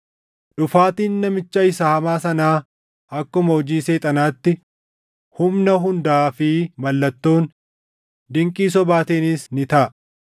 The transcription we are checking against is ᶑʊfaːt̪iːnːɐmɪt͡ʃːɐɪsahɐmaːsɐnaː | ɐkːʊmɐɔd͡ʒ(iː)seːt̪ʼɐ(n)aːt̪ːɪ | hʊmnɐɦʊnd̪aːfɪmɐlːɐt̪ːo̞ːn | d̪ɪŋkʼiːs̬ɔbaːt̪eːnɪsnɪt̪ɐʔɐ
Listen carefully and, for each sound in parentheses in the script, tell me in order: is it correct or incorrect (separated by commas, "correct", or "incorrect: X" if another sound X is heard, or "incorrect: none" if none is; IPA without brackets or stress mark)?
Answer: correct, correct